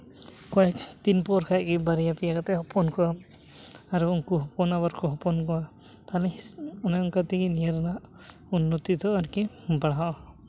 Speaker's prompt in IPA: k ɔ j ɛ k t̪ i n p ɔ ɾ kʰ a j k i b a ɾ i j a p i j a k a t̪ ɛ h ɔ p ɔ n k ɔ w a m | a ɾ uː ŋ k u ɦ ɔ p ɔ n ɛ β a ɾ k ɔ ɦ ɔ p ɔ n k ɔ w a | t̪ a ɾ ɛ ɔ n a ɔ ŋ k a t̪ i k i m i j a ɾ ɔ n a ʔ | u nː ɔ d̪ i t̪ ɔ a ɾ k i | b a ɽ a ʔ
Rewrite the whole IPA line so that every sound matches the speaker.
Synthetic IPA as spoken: k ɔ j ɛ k t̪ i n p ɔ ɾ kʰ a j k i b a ɾ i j a p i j a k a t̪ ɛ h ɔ p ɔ n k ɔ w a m | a ɾ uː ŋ k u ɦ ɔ p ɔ n a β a ɾ k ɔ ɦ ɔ p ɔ n k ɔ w a | t̪ a l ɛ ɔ n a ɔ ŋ k a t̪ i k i n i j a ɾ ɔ n a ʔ | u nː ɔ t̪ i t̪ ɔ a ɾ k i | b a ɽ a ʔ